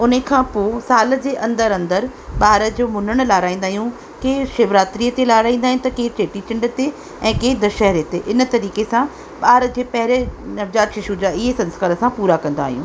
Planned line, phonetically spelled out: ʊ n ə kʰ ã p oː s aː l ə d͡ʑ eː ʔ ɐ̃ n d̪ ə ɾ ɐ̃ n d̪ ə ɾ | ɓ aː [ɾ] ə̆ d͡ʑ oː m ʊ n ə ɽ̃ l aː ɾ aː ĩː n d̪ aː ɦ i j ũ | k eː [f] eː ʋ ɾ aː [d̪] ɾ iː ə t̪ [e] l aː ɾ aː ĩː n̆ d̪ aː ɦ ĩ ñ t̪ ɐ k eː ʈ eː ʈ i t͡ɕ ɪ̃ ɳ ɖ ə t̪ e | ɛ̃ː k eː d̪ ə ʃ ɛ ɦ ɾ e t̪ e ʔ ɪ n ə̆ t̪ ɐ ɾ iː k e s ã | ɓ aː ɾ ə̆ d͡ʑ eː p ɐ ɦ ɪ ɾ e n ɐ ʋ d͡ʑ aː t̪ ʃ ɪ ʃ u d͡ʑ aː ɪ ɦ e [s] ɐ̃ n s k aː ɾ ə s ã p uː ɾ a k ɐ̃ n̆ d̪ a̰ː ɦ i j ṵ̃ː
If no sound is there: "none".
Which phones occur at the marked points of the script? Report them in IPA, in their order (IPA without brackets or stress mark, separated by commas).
ɾ, ʃ, t̪, e, s